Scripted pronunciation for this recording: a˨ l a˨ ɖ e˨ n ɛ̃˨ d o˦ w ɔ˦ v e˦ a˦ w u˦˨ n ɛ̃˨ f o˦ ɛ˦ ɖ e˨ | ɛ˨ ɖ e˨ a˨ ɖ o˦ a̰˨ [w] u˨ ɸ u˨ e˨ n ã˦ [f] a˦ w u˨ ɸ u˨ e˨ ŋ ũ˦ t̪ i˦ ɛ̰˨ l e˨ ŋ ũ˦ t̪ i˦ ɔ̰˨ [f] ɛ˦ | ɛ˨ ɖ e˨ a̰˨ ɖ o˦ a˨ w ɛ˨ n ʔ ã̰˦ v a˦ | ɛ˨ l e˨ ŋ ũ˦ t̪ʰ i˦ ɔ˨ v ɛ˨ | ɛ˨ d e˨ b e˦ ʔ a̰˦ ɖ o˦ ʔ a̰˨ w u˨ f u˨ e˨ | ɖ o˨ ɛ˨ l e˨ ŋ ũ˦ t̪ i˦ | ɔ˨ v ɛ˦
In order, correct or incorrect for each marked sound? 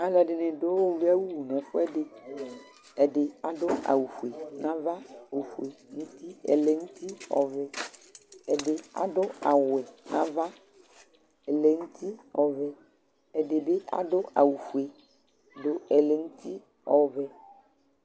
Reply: correct, incorrect: v, incorrect: v

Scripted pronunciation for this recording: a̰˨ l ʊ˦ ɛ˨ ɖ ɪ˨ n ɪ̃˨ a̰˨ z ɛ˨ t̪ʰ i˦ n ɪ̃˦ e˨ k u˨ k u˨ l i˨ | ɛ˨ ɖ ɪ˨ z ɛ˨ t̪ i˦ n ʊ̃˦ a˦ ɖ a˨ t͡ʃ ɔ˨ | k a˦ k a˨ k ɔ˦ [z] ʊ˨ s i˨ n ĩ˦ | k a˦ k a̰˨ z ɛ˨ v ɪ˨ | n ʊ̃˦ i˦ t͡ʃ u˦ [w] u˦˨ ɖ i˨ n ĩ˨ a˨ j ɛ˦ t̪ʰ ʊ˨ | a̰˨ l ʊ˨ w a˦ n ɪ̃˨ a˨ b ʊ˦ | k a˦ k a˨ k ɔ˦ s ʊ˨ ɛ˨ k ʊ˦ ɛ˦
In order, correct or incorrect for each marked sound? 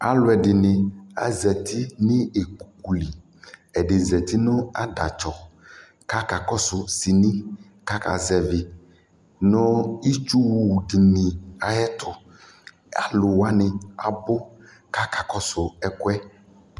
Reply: incorrect: s, correct

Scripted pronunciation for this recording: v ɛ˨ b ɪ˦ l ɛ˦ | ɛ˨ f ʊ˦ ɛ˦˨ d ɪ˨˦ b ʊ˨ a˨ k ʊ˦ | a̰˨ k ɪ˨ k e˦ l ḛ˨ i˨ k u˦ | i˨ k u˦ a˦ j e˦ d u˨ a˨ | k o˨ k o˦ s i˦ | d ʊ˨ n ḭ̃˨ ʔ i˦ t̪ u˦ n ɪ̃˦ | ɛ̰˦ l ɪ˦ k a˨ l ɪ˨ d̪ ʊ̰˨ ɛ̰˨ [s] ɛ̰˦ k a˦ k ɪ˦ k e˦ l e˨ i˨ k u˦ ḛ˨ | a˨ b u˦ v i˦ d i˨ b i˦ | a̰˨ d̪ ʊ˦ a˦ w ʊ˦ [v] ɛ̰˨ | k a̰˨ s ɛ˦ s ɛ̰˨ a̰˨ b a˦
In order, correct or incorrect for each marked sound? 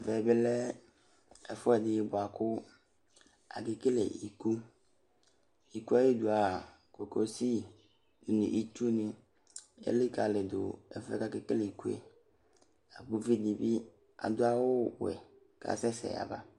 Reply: incorrect: f, incorrect: w

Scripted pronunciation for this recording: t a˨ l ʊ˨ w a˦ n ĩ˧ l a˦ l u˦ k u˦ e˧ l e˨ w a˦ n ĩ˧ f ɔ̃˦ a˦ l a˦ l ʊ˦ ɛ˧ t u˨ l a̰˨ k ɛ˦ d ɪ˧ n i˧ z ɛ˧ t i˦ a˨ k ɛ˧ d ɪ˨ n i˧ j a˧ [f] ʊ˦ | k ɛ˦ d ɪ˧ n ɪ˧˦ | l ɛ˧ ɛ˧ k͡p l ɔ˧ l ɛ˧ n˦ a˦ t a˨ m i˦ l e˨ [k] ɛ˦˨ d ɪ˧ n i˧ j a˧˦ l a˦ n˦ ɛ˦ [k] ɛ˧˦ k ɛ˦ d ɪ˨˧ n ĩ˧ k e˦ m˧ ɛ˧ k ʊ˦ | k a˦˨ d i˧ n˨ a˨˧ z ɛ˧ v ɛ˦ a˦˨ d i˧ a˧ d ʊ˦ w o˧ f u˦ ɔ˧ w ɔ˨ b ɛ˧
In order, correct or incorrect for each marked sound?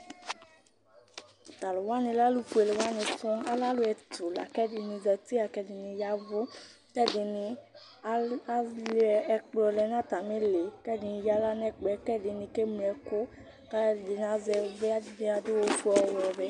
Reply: incorrect: v, correct, incorrect: k͡p

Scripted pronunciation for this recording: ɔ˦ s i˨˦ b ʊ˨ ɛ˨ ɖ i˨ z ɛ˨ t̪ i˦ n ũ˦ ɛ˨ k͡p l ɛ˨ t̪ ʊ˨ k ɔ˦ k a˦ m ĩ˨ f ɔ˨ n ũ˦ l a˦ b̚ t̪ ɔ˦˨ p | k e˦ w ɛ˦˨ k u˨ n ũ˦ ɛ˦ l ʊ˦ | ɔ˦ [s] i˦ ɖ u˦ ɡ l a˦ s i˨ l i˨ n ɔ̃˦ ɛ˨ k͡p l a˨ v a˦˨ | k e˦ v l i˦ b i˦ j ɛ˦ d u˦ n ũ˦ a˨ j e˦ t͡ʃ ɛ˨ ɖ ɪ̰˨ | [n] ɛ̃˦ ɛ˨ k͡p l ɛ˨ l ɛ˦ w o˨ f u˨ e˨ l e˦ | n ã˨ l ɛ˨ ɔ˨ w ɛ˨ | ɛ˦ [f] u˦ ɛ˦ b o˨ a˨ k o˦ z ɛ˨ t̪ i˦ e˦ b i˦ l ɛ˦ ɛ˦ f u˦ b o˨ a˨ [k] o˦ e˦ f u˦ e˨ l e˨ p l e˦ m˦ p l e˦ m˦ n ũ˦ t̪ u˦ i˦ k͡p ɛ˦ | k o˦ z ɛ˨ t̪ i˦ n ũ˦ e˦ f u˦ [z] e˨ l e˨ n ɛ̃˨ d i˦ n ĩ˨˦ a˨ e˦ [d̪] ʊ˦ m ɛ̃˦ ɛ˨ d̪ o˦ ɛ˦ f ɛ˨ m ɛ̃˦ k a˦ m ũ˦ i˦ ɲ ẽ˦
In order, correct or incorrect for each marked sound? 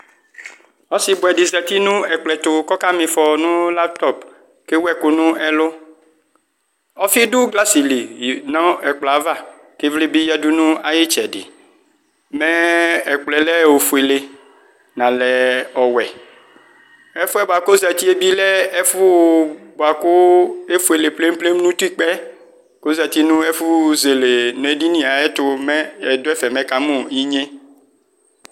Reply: incorrect: f, incorrect: m, correct, correct, correct, incorrect: t̪

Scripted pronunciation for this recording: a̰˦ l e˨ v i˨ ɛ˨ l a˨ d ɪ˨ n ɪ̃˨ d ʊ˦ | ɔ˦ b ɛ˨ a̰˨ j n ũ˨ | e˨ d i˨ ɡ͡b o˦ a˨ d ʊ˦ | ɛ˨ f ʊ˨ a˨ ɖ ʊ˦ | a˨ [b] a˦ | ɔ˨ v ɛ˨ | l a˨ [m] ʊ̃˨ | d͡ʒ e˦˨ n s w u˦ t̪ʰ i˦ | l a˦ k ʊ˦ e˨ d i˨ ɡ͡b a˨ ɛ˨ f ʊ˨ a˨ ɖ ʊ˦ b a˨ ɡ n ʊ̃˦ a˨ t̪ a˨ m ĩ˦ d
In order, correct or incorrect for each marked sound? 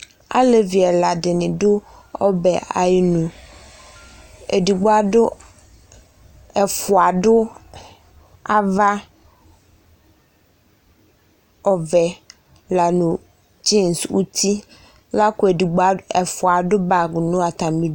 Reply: incorrect: v, incorrect: n

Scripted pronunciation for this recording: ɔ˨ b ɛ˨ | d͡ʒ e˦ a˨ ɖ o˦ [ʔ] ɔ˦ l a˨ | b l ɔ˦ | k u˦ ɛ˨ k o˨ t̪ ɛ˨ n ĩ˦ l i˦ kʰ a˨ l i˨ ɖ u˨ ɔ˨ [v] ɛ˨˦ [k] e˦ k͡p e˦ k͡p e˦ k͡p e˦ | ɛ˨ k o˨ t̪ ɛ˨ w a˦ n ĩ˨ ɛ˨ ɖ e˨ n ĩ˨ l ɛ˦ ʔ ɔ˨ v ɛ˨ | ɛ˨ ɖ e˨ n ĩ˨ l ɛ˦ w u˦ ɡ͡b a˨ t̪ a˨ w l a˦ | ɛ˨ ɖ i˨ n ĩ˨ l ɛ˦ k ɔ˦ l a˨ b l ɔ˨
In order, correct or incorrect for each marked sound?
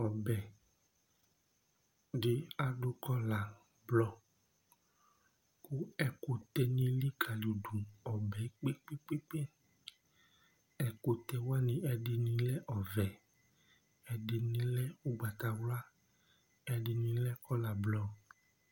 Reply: incorrect: k, incorrect: b, incorrect: k͡p

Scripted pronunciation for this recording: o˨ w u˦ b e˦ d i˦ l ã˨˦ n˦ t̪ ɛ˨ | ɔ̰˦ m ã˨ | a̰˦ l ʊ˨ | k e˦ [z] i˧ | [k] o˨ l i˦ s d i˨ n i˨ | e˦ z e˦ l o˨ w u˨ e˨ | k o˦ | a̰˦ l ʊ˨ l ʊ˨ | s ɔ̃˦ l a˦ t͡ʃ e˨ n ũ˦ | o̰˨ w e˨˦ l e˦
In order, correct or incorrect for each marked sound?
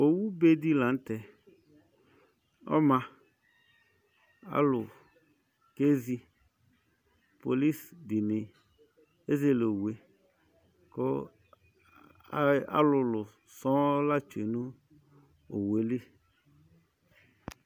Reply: correct, incorrect: p

